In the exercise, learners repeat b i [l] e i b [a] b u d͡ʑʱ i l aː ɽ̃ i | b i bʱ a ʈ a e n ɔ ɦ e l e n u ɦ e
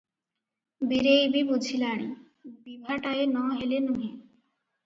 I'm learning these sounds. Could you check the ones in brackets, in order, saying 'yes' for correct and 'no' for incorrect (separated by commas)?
no, no